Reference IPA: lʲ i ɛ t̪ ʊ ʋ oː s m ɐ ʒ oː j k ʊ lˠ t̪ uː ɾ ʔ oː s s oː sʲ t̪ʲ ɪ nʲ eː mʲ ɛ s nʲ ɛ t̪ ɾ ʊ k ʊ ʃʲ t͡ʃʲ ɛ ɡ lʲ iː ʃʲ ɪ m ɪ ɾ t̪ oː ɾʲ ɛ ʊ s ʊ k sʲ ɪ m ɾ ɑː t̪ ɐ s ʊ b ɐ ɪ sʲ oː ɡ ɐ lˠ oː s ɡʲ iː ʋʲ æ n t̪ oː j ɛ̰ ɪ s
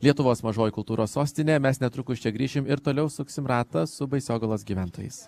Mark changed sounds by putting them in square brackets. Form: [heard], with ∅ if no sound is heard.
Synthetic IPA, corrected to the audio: lʲ i ɛ t̪ ʊ ʋ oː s m ɐ ʒ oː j k ʊ lˠ t̪ uː ɾ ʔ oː s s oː sʲ t̪ʲ ɪ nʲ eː mʲ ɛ s nʲ ɛ t̪ ɾ ʊ k ʊ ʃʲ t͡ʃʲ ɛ ɡ [ɾʲ] iː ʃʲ ɪ m ɪ ɾ t̪ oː [lʲ] ɛ ʊ s ʊ k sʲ ɪ m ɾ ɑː t̪ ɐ s ʊ b ɐ ɪ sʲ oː ɡ ɐ lˠ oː s ɡʲ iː ʋʲ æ n t̪ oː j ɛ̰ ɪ s